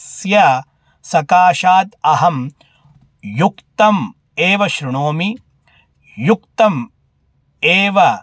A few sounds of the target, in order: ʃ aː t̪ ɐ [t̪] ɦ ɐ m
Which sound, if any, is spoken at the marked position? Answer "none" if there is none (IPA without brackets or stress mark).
none